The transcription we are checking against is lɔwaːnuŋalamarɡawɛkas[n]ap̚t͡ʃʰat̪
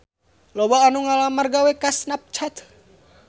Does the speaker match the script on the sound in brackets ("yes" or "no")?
yes